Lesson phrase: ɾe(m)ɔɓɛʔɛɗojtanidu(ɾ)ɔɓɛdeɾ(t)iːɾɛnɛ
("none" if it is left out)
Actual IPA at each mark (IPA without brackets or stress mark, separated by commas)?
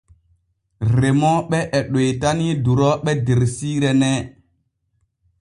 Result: m, ɾ, s